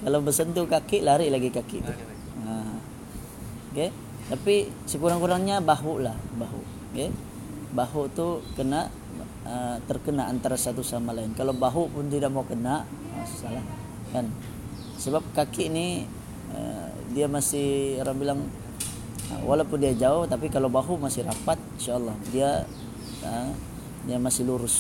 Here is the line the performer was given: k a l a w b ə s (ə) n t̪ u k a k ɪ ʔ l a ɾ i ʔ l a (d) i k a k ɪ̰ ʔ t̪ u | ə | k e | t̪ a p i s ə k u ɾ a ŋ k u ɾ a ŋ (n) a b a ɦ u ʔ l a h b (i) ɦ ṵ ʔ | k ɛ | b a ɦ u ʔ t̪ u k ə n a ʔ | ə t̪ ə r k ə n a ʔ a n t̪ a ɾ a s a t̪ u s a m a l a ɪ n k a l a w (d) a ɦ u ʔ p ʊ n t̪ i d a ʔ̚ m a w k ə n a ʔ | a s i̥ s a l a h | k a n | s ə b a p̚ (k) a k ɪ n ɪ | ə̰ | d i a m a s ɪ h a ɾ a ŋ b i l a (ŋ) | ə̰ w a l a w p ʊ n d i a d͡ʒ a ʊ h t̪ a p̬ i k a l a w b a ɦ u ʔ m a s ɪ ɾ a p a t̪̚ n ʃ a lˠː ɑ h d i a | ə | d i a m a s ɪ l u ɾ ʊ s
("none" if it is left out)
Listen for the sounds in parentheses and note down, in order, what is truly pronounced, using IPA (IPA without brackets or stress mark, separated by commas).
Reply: ə, ɡ, ɲ, a, b, k, ŋ